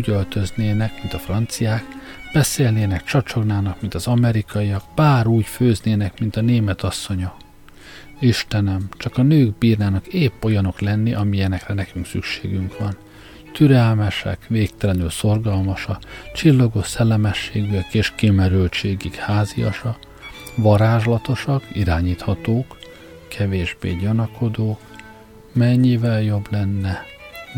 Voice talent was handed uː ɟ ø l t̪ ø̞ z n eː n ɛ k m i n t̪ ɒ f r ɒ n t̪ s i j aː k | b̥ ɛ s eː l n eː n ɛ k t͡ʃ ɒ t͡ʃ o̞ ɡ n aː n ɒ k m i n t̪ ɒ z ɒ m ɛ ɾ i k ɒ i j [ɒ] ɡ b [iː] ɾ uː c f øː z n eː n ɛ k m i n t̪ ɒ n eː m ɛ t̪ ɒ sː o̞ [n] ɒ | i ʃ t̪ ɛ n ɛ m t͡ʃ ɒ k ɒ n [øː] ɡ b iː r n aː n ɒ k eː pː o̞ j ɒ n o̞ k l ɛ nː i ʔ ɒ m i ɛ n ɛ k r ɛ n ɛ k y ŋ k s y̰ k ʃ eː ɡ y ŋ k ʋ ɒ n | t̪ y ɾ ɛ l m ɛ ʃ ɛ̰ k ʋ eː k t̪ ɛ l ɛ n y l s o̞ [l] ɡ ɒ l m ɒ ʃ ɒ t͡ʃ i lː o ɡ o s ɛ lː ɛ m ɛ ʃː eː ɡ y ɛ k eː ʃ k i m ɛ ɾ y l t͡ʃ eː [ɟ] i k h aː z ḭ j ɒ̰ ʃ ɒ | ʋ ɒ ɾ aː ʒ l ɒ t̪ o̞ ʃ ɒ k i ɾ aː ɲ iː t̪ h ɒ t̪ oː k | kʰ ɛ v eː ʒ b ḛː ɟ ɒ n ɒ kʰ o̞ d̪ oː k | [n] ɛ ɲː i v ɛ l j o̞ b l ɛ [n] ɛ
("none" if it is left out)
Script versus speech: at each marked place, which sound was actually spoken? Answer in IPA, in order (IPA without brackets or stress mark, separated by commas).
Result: ɒ, aː, ɲ, øː, r, ɡ, m, nː